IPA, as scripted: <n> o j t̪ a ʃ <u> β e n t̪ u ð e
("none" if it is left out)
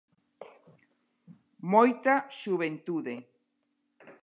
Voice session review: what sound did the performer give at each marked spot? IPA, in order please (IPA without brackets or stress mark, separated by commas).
m, u